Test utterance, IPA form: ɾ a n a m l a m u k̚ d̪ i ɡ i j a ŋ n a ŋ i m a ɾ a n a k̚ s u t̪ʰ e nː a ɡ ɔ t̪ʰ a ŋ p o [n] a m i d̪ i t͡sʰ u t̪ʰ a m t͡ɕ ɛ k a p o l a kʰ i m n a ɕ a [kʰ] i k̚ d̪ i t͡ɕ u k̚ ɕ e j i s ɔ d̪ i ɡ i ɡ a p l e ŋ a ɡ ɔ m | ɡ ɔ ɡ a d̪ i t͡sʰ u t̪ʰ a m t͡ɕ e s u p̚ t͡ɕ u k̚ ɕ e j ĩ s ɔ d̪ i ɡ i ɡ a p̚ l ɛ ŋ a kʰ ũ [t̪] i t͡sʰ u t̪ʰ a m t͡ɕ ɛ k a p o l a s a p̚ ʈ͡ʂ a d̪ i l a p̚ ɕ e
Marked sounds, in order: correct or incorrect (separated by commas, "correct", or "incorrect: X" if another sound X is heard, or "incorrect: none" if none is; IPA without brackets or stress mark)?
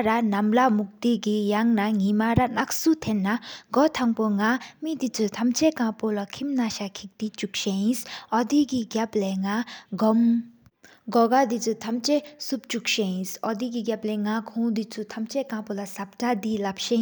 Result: incorrect: ŋ, correct, incorrect: d̪